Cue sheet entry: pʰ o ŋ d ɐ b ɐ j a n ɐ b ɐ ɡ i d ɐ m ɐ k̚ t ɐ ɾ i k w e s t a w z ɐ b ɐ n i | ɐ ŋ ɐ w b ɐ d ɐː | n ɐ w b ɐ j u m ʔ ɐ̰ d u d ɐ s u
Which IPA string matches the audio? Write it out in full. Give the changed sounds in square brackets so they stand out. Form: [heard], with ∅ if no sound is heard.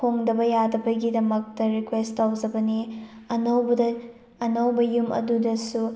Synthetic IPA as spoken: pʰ o ŋ d ɐ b ɐ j a [d] ɐ b ɐ ɡ i d ɐ m ɐ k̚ t ɐ ɾ i k w e s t a w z ɐ b ɐ n i | ɐ [n] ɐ w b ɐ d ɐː | n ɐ w b ɐ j u m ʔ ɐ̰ d u d ɐ s u